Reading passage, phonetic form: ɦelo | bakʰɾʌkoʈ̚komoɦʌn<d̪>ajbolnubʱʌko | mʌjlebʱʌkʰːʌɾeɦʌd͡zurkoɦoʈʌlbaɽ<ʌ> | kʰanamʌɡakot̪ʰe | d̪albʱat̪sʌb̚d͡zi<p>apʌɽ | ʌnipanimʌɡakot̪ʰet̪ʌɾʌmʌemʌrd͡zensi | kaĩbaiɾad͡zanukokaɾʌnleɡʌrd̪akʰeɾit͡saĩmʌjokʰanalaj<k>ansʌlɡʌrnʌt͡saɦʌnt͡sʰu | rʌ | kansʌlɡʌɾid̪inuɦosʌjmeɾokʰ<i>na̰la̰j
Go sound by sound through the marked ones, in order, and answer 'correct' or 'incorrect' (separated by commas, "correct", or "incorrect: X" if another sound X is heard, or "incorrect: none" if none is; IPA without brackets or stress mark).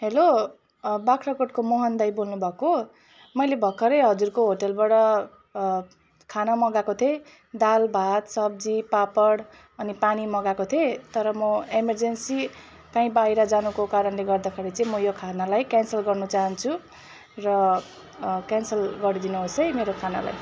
correct, correct, correct, correct, incorrect: a